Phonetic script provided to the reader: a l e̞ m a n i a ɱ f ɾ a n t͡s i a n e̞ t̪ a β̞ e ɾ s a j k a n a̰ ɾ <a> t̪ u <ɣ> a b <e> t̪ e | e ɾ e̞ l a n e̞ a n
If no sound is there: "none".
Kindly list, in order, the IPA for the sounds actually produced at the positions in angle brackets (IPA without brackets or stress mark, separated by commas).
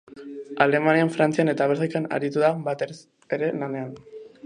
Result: i, ð, a